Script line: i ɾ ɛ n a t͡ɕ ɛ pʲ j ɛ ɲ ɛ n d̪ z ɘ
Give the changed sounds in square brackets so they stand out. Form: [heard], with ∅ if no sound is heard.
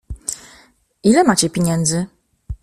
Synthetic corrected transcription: i [l] ɛ [m] a t͡ɕ ɛ pʲ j [e] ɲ ɛ n d̪ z ɘ